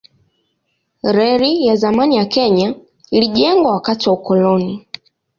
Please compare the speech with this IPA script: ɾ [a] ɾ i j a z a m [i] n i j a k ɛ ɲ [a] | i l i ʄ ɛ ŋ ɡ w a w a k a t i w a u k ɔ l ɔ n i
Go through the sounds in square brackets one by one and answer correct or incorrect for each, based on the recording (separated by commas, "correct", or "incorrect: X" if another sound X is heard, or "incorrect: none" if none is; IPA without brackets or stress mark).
incorrect: ɛ, incorrect: a, correct